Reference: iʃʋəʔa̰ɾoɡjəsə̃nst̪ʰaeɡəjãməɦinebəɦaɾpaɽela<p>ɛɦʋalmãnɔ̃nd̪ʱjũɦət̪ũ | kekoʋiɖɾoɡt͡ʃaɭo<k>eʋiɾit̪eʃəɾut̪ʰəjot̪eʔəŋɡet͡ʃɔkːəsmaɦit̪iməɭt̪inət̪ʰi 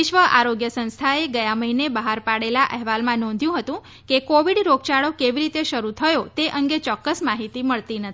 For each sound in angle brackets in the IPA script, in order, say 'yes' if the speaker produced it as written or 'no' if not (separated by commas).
no, yes